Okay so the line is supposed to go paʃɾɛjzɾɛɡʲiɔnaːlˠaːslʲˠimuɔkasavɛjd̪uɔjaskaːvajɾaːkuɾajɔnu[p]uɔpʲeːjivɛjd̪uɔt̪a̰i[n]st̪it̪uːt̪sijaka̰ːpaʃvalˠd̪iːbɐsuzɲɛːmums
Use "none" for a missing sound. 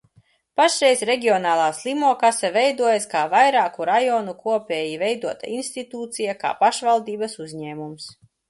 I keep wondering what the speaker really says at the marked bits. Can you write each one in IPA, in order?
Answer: k, n

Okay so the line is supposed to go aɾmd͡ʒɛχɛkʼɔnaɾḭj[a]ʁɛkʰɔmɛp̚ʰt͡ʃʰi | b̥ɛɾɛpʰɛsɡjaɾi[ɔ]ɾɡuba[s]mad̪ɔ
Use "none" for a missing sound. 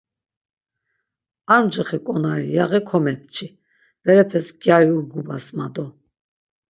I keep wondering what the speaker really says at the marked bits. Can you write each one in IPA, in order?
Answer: a, u, s

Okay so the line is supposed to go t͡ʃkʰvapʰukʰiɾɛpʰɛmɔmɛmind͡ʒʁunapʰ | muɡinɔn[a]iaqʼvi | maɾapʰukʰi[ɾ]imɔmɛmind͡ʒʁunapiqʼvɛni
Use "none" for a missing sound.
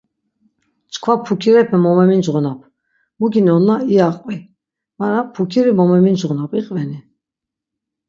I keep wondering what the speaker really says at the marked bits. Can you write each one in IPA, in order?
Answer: a, ɾ

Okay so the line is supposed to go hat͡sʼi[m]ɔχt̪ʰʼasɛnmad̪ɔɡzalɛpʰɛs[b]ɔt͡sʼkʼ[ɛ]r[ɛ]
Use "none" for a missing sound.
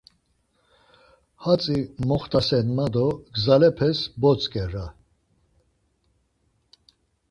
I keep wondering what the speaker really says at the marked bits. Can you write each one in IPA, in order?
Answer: m, b, ɛ, a

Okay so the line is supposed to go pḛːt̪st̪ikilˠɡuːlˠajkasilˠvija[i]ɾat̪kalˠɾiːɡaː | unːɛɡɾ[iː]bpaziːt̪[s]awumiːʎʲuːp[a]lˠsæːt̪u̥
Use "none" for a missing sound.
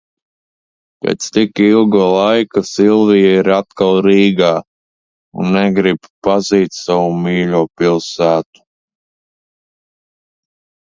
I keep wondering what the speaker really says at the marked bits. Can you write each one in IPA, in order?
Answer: i, i, s, i

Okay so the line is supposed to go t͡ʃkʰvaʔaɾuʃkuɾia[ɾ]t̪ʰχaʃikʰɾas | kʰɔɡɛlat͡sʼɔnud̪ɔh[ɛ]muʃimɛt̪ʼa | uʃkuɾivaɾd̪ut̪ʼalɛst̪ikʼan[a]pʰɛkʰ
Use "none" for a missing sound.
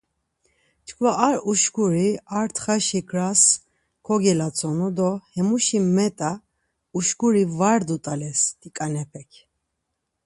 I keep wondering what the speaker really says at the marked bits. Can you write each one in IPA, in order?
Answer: ɾ, ɛ, ɛ

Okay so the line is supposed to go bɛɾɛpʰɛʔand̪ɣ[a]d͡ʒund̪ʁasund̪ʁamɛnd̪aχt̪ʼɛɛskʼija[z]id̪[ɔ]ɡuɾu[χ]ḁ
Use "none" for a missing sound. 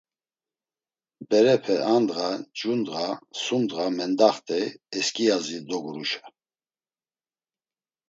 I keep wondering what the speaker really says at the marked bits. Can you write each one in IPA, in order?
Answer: a, z, ɔ, ʃ

